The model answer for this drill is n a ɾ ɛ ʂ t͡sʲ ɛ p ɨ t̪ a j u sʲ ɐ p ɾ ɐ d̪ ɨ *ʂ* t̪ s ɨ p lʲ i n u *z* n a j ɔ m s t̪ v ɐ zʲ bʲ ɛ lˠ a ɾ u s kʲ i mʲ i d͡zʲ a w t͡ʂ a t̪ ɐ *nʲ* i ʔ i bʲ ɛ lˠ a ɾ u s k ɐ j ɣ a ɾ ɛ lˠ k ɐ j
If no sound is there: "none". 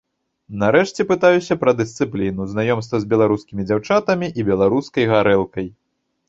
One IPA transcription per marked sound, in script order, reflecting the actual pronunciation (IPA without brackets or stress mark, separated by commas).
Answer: s, z, mʲ